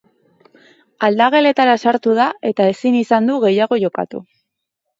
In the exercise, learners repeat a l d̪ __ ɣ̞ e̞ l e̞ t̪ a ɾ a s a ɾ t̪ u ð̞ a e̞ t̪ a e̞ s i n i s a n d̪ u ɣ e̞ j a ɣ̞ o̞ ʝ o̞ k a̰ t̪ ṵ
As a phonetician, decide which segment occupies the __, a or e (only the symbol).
a